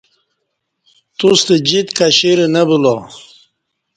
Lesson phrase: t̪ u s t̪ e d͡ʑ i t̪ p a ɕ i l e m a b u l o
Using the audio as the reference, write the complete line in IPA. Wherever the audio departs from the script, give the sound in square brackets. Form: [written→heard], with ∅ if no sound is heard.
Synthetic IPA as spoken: t̪ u s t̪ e d͡ʑ i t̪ [p→k] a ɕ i [l→ɾ] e [m→n] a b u l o